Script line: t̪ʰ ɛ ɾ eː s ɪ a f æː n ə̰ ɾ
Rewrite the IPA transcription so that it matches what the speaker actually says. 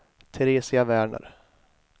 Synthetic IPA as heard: t̪ʰ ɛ ɾ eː s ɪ a v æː ɳ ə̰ ɾ